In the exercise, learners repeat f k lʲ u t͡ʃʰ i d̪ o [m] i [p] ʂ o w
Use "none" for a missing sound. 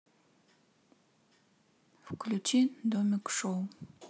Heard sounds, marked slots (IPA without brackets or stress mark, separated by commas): m, k